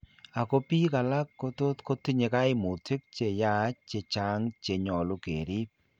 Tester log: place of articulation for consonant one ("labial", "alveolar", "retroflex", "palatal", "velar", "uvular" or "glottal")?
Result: velar